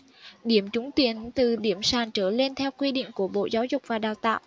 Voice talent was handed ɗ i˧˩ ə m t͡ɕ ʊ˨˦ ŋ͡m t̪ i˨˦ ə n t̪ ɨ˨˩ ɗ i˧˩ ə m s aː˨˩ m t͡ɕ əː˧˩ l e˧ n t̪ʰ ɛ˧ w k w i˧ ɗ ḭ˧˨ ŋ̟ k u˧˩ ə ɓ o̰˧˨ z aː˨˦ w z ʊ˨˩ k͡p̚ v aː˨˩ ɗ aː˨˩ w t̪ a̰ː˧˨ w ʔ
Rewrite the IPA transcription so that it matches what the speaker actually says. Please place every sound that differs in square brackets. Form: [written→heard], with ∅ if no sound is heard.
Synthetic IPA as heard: ɗ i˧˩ ə m t͡ɕ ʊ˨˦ ŋ͡m t̪ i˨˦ ə n t̪ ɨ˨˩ ɗ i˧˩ ə m s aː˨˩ [m→n] t͡ɕ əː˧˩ l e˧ n t̪ʰ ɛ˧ w k w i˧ ɗ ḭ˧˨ ŋ̟ k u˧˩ ə ɓ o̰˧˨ z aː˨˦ w z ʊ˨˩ k͡p̚ v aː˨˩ ɗ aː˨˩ w t̪ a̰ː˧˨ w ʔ